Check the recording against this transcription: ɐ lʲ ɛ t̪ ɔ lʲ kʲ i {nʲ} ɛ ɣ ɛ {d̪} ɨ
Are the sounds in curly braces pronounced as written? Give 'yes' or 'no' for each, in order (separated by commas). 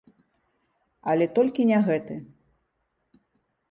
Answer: yes, no